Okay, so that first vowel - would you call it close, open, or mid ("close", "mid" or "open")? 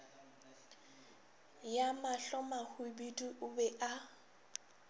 open